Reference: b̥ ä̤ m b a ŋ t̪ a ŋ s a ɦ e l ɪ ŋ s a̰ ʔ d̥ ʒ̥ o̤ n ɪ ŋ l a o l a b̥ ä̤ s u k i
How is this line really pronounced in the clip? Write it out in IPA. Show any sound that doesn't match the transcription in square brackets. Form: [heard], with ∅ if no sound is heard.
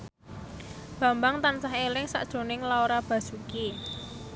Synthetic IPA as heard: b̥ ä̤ m b a ŋ t̪ a [n] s a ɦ e l ɪ ŋ s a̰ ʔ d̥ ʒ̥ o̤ n ɪ ŋ l a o [ɾ] a b̥ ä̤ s u k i